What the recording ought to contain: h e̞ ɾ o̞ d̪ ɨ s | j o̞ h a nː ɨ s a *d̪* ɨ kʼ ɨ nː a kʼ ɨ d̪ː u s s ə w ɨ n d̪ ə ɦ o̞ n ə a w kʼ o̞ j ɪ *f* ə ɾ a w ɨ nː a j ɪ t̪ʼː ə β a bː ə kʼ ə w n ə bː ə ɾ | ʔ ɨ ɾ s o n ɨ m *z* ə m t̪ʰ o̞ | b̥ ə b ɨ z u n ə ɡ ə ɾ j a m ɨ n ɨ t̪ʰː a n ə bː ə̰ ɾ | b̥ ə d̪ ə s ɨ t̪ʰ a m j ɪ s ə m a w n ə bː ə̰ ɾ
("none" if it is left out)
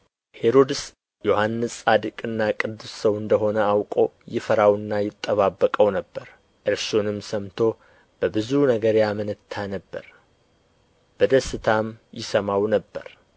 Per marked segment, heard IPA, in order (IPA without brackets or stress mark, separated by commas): d̪, f, s